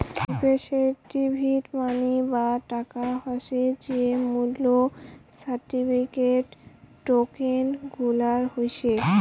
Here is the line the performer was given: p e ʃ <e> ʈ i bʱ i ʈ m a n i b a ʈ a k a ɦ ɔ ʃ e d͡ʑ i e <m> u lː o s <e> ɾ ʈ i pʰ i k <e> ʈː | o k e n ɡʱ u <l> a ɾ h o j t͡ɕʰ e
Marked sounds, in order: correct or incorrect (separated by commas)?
correct, correct, incorrect, correct, correct